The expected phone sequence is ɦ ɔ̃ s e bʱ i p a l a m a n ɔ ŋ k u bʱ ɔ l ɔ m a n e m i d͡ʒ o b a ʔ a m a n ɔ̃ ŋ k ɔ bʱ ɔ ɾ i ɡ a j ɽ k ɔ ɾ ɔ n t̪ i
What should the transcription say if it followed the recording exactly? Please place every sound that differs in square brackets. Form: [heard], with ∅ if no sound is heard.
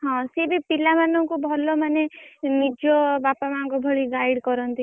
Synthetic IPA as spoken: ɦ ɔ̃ s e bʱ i p [i] l a m a n ɔ ŋ k u bʱ ɔ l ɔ m a n e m i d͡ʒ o b a [p] a m a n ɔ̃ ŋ k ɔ bʱ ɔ [ɭ] i ɡ a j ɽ k ɔ ɾ ɔ n t̪ i